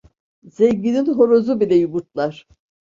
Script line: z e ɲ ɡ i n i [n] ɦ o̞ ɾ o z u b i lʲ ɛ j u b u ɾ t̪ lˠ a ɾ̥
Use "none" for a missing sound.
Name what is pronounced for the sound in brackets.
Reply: n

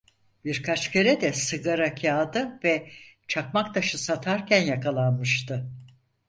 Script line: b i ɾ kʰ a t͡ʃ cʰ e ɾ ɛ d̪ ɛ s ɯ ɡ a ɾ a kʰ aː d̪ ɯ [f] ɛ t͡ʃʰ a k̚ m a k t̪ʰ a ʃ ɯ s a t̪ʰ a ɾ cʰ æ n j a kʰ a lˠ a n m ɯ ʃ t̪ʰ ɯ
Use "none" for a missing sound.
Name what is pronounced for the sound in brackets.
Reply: v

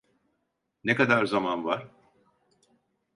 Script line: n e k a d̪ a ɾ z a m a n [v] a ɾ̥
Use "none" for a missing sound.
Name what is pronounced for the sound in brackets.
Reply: v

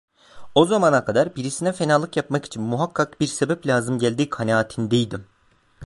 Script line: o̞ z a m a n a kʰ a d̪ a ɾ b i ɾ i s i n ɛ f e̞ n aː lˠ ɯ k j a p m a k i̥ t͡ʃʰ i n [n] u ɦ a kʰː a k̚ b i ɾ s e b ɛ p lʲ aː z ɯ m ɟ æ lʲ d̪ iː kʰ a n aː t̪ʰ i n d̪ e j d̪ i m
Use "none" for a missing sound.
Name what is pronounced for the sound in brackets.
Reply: m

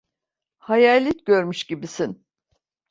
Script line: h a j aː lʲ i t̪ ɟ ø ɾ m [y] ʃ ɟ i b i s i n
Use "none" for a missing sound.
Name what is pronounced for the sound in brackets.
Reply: y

